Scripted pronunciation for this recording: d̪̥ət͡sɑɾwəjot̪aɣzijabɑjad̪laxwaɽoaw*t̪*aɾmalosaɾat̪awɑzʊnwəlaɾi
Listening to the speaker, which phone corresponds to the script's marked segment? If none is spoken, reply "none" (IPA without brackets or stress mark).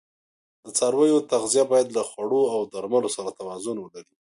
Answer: d̪